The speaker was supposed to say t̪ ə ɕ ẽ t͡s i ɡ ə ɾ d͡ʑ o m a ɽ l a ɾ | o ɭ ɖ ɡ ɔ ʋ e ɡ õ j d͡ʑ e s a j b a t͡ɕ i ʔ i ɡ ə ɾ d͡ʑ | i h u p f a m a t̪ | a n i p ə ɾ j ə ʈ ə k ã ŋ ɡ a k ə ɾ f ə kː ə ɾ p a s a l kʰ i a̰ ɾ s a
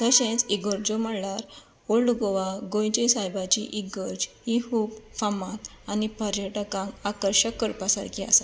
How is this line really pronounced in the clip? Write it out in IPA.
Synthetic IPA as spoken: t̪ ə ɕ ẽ t͡s i ɡ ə ɾ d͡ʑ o m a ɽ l a ɾ | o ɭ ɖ ɡ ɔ ʋ a ɡ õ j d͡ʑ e s a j b a t͡ɕ i ʔ i ɡ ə ɾ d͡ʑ | i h u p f a m a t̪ | a n i p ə ɾ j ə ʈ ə k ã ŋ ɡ a k ə ɾ ɕ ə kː ə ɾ p a s a ɾ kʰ i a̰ s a